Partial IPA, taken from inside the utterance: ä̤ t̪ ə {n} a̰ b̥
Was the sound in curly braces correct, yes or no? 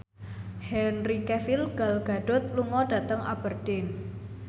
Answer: no